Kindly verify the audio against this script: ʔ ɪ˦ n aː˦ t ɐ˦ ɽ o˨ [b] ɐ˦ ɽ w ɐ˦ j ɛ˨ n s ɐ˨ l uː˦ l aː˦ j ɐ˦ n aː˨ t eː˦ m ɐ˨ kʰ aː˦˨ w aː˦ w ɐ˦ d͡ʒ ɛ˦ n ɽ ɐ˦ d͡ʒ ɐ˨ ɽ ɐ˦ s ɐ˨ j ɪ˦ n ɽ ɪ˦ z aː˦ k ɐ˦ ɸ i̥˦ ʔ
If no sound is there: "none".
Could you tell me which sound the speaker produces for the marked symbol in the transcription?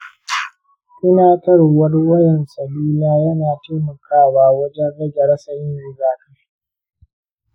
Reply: w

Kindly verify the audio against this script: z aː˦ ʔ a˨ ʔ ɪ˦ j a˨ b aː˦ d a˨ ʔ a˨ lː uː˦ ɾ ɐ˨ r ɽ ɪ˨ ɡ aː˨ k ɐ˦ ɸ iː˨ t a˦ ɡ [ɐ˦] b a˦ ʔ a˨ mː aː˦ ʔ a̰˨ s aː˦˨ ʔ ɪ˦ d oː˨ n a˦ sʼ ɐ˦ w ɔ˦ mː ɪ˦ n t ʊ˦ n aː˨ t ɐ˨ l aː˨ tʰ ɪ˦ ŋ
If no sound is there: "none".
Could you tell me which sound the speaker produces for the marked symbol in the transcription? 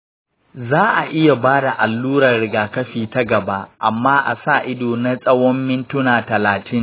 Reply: ɐ˨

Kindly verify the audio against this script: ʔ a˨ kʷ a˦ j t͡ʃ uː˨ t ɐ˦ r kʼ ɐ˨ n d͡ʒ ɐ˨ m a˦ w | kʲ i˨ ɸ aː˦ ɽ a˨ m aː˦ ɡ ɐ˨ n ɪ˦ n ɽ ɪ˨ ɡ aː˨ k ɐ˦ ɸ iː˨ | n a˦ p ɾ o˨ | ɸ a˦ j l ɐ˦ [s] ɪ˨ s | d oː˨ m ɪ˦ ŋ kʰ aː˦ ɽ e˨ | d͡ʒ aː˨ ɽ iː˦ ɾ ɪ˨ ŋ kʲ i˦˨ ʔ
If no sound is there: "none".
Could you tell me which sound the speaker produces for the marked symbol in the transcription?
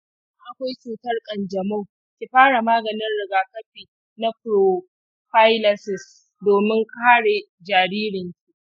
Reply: s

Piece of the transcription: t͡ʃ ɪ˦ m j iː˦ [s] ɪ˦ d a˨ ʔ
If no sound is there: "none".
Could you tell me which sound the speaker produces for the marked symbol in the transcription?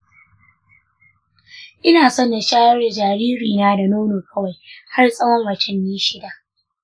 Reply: ʃ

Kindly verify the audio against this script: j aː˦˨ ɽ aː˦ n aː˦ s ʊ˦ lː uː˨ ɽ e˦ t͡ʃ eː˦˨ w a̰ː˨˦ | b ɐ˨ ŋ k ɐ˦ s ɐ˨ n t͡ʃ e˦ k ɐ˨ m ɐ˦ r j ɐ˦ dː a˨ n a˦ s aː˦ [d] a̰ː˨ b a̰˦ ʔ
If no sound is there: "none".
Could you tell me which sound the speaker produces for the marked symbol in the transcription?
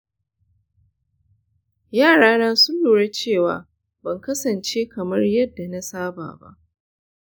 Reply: b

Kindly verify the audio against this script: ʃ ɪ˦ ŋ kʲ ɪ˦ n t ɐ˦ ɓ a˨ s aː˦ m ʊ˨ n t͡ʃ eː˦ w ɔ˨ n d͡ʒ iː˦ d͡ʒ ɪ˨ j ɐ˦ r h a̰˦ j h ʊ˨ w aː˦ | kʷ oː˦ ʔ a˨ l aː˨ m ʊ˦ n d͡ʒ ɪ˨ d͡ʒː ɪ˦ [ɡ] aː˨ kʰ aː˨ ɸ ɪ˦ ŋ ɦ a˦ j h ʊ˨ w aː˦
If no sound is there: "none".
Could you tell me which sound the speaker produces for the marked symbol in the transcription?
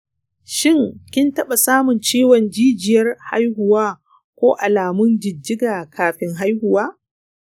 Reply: ɡ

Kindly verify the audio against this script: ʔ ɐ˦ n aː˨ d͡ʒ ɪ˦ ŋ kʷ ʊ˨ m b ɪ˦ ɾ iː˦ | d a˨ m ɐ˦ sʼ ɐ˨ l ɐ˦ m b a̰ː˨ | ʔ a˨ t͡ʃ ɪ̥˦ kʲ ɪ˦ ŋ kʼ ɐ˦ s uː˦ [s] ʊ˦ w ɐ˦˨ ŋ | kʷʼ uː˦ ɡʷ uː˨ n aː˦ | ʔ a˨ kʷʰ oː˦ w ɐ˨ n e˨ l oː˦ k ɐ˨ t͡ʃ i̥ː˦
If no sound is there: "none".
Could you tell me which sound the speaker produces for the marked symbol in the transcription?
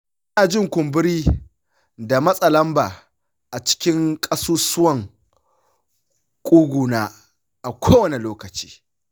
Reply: s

